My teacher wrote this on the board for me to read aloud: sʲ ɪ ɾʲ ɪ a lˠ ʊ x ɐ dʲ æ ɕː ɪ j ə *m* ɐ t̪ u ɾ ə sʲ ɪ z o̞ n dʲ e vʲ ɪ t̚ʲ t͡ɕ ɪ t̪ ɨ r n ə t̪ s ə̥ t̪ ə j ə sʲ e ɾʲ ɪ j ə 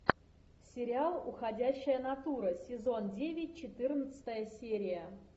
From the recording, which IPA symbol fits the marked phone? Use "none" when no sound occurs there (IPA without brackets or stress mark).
n